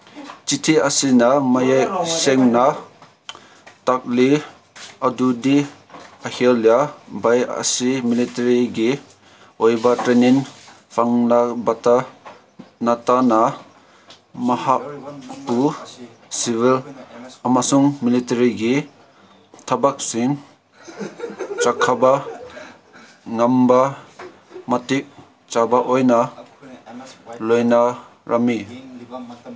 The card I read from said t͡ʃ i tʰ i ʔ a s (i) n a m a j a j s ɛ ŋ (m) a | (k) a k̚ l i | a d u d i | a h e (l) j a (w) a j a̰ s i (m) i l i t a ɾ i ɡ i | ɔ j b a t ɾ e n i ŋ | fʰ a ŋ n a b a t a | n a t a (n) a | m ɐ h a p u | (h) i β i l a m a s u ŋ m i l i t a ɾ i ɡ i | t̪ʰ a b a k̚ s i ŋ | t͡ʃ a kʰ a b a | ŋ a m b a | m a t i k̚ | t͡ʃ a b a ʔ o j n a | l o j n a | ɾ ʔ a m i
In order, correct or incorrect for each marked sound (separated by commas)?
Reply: correct, incorrect, incorrect, correct, incorrect, correct, correct, incorrect